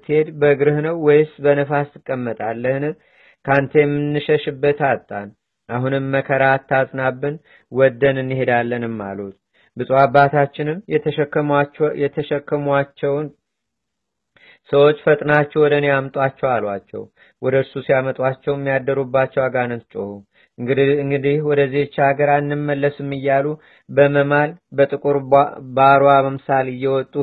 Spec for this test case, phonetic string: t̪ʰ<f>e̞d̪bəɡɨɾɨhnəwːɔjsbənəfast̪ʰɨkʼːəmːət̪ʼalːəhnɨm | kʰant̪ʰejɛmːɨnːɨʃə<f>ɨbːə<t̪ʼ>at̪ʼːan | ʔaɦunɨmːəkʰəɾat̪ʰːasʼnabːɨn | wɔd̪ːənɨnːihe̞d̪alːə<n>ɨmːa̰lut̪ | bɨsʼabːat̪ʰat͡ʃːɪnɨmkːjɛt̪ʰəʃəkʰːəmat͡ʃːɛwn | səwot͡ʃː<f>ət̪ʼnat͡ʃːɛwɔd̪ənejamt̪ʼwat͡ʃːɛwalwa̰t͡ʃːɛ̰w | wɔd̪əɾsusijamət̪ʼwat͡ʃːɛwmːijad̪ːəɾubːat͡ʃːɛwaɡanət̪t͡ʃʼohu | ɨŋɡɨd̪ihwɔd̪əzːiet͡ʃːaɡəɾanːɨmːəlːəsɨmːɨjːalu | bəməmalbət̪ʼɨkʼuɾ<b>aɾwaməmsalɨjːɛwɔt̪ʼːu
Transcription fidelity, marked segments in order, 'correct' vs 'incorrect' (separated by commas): incorrect, incorrect, incorrect, correct, correct, correct